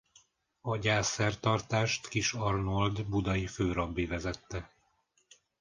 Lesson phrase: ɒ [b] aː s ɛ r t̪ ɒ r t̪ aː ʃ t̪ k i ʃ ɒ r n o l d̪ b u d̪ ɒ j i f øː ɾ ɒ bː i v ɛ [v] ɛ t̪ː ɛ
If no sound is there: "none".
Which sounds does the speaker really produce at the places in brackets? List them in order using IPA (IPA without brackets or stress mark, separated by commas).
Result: ɟ, z